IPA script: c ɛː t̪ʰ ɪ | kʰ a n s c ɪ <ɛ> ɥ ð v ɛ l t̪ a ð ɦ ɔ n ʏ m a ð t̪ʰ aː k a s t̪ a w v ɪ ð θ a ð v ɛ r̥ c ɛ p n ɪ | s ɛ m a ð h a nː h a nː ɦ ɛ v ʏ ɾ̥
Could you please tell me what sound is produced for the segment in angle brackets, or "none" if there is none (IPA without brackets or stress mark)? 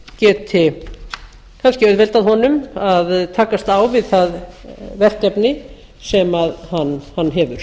œ